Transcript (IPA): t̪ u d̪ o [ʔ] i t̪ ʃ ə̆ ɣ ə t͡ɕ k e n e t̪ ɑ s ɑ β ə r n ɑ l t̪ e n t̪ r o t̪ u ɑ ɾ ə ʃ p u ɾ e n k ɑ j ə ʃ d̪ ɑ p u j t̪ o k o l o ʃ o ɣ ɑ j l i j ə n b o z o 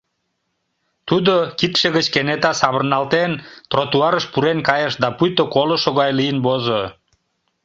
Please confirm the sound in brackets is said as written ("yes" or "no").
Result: no